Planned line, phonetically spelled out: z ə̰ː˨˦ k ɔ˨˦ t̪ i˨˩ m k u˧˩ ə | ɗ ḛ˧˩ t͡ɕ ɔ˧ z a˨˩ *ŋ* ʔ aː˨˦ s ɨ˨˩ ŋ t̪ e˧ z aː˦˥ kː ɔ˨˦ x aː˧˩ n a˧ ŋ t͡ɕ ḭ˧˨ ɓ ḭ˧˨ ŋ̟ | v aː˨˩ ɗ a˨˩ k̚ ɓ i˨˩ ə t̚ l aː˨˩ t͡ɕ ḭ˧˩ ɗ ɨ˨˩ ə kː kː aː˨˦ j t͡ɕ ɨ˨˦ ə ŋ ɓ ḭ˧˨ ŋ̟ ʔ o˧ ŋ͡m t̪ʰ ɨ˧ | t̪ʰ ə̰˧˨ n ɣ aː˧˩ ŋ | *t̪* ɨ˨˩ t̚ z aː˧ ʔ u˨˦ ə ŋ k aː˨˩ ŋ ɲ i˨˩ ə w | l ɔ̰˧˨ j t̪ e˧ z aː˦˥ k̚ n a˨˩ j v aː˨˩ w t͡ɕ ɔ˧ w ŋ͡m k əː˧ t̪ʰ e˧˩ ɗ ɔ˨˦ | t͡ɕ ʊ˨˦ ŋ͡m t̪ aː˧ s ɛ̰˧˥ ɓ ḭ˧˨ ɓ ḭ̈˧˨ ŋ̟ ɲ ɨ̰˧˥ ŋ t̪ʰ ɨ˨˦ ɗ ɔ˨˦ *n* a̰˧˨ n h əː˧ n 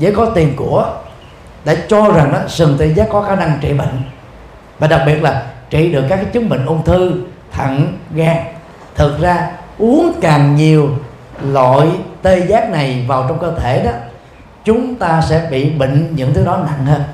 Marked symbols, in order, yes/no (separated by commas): yes, no, yes